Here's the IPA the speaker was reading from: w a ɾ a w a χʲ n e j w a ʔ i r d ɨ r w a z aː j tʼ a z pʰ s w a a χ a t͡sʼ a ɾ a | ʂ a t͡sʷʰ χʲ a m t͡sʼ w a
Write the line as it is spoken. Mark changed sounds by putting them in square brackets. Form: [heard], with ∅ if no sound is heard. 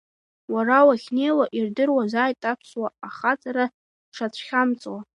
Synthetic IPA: w a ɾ a w a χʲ n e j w a ʔ i r d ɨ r w a z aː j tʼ a [∅] pʰ s w a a χ a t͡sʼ a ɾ a | ʂ a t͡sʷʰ χʲ a m t͡sʼ w a